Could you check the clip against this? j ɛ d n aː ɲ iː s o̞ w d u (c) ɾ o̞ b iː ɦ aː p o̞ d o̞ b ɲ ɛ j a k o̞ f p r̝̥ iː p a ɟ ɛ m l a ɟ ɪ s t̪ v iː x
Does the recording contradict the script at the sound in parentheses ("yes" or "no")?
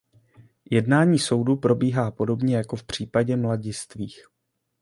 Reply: yes